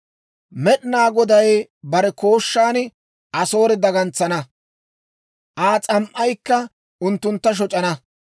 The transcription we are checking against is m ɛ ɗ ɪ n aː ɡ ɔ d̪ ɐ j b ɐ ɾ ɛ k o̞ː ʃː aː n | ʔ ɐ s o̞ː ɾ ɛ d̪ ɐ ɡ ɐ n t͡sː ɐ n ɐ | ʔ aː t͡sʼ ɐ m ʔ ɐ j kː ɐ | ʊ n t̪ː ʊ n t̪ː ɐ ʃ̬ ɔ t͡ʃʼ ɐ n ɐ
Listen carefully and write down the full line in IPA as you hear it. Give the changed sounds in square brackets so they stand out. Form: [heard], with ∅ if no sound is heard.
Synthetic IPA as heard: m ɛ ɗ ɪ n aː ɡ ɔ d̪ ɐ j b ɐ ɾ ɛ k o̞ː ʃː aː n | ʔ ɐ s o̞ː ɾ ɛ d̪ ɐ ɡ ɐ n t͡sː ɐ n ɐ | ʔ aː t͡sʼ ɐ m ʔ ɐ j kː ɐ | ʊ n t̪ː ʊ n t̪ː ɐ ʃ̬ ɔ t͡ʃʼ ɐ n ɐ